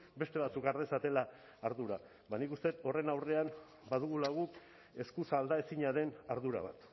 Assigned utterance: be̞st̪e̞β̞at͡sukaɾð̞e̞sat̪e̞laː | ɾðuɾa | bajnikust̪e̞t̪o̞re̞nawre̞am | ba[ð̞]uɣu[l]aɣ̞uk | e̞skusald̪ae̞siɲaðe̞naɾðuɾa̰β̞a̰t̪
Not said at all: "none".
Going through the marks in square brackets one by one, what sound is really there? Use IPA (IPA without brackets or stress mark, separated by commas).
ð̞, l